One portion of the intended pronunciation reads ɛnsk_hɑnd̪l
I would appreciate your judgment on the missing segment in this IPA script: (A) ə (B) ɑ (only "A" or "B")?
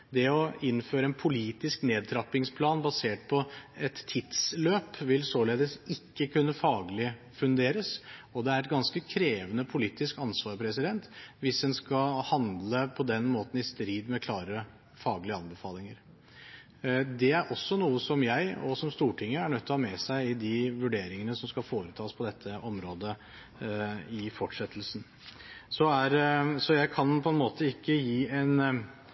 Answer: B